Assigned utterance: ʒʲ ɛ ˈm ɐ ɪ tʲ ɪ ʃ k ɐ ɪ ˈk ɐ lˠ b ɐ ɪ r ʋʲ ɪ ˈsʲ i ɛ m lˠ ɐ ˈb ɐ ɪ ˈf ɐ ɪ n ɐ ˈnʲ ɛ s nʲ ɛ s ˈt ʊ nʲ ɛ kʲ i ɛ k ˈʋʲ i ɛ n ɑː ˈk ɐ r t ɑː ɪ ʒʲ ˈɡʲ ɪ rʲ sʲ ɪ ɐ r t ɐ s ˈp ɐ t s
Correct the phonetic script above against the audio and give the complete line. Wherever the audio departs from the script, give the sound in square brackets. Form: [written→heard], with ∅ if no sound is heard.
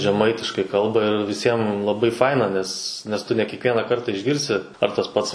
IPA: ʒʲ ɛ ˈm ɐ ɪ tʲ ɪ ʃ k ɐ ɪ ˈk ɐ lˠ b ɐ ɪ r ʋʲ ɪ ˈsʲ i ɛ m lˠ ɐ ˈb ɐ ɪ ˈf ɐ ɪ n ɐ ˈnʲ ɛ s nʲ ɛ s ˈt ʊ nʲ ɛ kʲ i ɛ k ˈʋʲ i ɛ n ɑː ˈk ɐ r t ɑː ɪ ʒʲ ˈɡʲ ɪ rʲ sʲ ɪ ɐ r t ɐ s ˈp ɐ t s